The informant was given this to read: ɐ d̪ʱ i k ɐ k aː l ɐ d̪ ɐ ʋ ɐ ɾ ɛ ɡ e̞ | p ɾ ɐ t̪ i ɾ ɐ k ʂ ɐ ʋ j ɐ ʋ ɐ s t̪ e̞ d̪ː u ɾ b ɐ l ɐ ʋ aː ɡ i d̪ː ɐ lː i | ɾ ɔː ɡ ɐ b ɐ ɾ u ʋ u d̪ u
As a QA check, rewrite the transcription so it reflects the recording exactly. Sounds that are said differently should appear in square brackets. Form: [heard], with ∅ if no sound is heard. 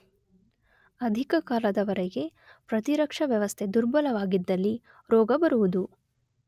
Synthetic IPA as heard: ɐ d̪ʱ i k ɐ k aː l ɐ d̪ ɐ ʋ ɐ ɾ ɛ ɡ e̞ | p ɾ ɐ t̪ i ɾ ɐ k ʂ ɐ ʋ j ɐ ʋ ɐ s [t̪ʰ] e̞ [d̪] u ɾ b ɐ l ɐ ʋ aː ɡ i d̪ː ɐ lː i | ɾ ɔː ɡ ɐ b ɐ ɾ u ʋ u d̪ u

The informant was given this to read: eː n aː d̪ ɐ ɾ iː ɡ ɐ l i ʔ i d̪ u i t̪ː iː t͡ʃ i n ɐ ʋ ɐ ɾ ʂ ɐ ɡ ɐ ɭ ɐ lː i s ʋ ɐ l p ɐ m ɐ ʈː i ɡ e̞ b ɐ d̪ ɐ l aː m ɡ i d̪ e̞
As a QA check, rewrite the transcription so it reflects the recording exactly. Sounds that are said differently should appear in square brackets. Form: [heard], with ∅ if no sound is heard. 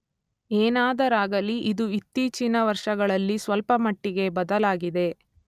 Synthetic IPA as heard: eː n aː d̪ ɐ ɾ [aː] ɡ ɐ l i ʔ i d̪ u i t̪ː iː t͡ʃ i n ɐ ʋ ɐ ɾ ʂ ɐ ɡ ɐ ɭ ɐ lː i s ʋ ɐ l p ɐ m ɐ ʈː i ɡ e̞ b ɐ d̪ ɐ l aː [∅] ɡ i d̪ e̞

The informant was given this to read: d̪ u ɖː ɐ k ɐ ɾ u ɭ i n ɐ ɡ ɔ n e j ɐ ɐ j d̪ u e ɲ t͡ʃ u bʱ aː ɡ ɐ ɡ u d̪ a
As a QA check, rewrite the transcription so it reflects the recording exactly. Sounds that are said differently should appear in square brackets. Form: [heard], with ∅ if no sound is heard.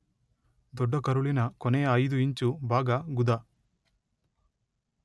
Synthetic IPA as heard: d̪ [ɔ] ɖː ɐ k ɐ ɾ u ɭ i n ɐ [k] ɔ n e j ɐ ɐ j d̪ u [i] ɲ t͡ʃ u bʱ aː ɡ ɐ ɡ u d̪ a

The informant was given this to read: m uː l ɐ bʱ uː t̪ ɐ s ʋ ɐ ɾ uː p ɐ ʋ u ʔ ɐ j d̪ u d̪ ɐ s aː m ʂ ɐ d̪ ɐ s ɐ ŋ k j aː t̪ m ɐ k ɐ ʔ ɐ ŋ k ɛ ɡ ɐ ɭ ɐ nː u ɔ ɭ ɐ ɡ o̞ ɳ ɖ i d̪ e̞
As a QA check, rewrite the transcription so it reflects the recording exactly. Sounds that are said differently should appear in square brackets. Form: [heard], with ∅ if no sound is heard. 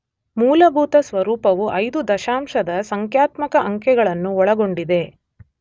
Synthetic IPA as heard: m uː l ɐ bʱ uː t̪ ɐ s ʋ ɐ ɾ uː p ɐ ʋ u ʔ ɐ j d̪ u d̪ ɐ [ʃ] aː m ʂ ɐ d̪ ɐ s ɐ ŋ k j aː t̪ m ɐ k ɐ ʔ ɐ ŋ k ɛ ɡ ɐ ɭ ɐ nː u ɔ ɭ ɐ ɡ o̞ ɳ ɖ i d̪ e̞

